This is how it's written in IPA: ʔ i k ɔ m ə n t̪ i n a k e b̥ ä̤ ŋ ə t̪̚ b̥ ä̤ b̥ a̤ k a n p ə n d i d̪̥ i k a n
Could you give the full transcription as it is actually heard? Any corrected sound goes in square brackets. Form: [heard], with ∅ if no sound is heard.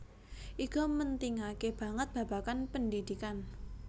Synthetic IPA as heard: ʔ i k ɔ m ə n t̪ i [ŋ] a k e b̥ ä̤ ŋ ə t̪̚ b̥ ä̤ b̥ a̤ k a n p ə n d i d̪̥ i k a n

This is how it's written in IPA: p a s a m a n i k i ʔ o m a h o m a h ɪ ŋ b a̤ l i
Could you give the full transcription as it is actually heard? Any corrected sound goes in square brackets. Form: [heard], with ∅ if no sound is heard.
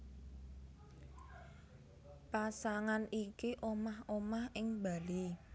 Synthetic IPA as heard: p a s a [ŋ] a n i k i ʔ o m a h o m a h ɪ ŋ b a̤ l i

